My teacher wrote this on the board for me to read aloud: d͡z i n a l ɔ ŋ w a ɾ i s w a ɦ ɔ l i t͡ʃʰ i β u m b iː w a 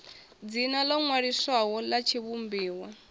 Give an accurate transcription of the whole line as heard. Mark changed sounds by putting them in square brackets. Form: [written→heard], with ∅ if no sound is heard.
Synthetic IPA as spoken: d͡z i n a l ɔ ŋ w a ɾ i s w a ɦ ɔ l [i→a] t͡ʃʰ i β u m b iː w a